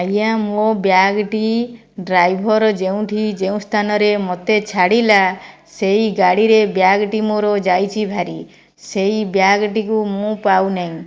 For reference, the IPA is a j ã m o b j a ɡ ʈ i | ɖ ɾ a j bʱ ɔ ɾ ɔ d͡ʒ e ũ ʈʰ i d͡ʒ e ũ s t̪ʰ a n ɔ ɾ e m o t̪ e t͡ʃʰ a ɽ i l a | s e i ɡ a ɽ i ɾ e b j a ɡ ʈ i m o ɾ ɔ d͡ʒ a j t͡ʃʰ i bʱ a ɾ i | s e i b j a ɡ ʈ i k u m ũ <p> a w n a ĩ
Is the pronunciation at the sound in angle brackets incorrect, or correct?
correct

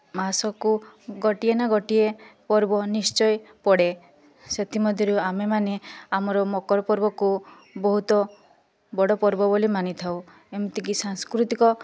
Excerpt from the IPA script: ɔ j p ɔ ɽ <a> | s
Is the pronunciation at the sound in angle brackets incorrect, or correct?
incorrect: e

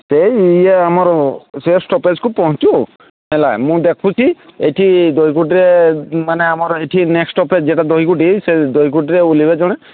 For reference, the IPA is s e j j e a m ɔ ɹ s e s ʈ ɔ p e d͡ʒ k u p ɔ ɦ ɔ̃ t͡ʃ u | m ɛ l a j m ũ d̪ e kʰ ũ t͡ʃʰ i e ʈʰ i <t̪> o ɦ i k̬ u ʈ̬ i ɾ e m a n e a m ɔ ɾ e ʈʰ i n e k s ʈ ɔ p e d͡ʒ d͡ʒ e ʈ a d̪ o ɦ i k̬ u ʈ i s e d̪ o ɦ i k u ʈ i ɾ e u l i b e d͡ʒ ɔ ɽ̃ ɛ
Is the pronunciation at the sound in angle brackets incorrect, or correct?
incorrect: d̪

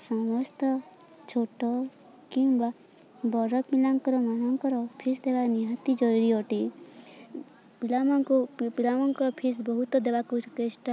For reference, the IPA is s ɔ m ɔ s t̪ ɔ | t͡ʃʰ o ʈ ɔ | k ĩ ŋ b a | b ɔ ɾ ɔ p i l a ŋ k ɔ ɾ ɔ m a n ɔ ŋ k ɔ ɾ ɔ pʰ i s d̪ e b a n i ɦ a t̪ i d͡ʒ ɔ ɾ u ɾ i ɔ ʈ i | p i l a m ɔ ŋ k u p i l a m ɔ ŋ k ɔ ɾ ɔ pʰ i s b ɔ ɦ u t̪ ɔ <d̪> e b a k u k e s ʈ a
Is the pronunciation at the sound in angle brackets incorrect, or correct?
correct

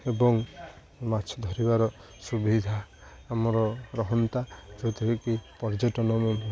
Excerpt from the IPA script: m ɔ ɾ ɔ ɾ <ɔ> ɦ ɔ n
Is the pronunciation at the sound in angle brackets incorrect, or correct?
correct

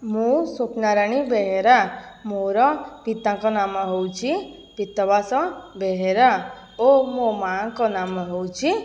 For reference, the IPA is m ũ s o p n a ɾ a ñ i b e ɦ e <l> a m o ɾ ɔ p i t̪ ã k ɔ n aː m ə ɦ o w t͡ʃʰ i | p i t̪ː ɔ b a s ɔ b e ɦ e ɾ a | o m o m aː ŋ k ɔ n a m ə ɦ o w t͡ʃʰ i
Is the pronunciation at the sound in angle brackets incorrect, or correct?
incorrect: ɾ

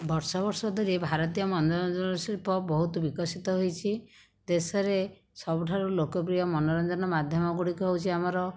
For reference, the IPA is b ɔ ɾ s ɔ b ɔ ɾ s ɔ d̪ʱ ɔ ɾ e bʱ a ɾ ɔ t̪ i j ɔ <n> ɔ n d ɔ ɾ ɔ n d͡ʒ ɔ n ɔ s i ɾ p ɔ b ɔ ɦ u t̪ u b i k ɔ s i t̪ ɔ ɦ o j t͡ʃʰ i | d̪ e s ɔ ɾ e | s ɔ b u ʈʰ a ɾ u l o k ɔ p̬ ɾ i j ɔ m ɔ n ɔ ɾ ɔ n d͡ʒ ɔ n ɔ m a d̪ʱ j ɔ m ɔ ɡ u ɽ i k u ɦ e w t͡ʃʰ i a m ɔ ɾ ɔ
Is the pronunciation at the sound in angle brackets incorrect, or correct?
incorrect: m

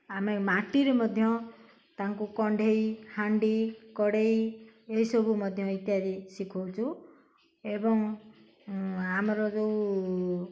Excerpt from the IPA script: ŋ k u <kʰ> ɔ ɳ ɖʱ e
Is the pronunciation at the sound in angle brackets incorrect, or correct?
incorrect: k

